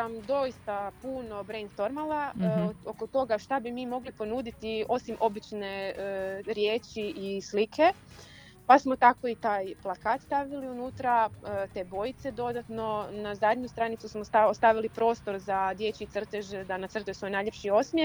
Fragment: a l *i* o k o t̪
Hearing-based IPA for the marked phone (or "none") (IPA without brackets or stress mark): a